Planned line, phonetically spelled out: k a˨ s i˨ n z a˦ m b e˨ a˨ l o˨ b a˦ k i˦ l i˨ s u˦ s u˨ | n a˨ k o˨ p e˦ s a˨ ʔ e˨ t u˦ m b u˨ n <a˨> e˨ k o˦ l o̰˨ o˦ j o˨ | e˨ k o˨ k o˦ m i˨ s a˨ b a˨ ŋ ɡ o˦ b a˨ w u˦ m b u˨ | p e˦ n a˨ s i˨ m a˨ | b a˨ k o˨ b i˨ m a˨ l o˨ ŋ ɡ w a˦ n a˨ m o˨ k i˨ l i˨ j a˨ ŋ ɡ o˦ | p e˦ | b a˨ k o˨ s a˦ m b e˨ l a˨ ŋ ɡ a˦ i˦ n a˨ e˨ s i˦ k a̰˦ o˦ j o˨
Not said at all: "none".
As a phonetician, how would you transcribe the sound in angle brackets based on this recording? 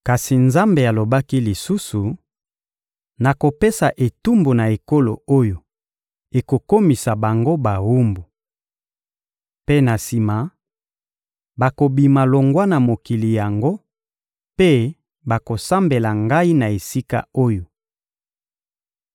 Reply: a˨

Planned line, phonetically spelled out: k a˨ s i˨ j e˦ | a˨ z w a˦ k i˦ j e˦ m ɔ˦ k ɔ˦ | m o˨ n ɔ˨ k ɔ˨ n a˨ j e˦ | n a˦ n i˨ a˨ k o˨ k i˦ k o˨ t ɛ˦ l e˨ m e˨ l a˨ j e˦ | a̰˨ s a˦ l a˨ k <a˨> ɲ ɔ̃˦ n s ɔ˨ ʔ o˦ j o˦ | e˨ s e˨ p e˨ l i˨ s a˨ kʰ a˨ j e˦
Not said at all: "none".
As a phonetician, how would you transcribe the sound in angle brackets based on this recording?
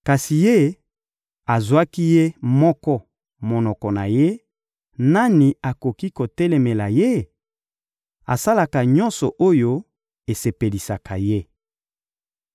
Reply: a˨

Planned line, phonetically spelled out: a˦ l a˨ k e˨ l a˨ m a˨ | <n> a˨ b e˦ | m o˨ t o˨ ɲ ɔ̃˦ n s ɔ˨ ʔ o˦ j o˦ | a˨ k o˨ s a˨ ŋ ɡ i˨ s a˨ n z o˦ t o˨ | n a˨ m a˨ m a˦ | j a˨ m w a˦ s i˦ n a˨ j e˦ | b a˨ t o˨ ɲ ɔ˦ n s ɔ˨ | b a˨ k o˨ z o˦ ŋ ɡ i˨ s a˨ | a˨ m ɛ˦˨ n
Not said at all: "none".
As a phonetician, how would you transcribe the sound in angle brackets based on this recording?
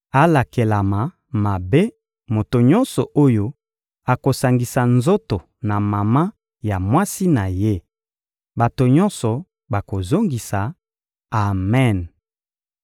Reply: m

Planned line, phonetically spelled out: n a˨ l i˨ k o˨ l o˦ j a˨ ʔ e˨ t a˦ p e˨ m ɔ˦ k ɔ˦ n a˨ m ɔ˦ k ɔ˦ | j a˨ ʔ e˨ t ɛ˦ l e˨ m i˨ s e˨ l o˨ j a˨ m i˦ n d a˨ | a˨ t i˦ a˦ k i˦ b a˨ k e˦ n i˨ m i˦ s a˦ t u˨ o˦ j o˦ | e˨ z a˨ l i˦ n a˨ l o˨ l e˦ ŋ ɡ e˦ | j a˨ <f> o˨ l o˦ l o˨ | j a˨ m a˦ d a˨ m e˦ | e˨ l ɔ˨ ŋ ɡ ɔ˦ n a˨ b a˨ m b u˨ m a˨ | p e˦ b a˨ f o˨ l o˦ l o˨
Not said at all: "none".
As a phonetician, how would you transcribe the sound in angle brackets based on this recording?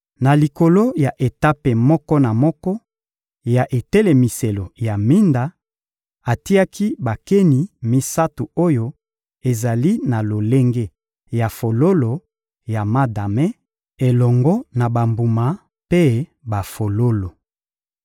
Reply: f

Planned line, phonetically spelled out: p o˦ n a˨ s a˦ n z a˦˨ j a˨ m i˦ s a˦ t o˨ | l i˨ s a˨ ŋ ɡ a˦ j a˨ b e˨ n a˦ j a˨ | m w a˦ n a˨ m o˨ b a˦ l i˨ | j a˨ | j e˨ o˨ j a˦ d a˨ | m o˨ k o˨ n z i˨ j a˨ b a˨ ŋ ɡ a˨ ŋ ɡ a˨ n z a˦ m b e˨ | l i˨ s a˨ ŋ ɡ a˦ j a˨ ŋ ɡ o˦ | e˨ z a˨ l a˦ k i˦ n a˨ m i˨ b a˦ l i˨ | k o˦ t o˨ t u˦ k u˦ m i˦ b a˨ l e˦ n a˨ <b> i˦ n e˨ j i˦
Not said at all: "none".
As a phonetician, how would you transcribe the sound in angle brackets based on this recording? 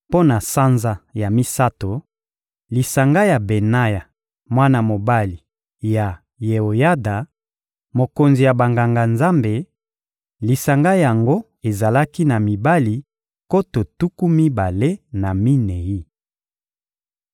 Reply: m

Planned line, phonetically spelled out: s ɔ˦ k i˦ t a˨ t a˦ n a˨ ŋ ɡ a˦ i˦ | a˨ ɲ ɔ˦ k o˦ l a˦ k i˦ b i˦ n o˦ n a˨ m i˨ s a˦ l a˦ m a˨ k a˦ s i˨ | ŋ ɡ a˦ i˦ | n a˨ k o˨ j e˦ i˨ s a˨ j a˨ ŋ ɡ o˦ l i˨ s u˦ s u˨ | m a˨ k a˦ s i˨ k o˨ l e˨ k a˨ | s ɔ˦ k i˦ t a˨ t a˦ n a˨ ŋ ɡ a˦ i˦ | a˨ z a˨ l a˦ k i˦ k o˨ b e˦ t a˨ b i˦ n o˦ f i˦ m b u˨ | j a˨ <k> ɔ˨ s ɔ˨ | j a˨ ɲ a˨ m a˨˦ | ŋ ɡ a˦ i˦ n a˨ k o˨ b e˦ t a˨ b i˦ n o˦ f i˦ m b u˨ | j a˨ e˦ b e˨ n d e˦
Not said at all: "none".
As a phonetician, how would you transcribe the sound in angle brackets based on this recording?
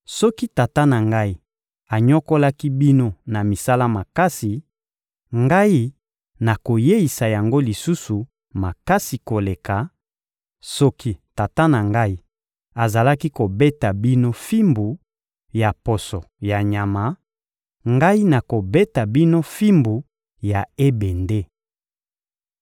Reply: p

